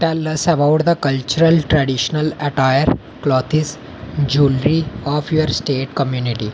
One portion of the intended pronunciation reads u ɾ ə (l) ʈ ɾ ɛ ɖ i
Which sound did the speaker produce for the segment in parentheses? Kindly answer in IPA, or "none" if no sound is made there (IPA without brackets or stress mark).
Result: l